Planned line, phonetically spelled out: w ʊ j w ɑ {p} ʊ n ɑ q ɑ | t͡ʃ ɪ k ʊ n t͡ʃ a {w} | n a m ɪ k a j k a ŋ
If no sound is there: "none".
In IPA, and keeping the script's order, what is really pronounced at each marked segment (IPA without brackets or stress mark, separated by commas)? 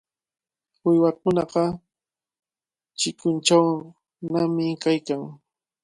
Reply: k, w